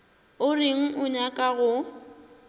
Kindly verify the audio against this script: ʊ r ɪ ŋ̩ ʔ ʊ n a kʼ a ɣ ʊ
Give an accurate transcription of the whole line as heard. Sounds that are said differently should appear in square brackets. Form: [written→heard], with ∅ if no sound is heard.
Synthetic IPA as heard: ʊ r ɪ ŋ̩ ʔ ʊ [n→ɲ] a kʼ a ɣ ʊ